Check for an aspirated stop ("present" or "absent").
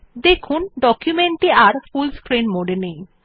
present